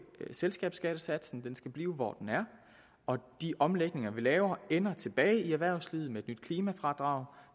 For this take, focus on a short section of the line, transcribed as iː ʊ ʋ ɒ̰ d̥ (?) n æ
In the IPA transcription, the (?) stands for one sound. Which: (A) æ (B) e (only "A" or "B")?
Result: B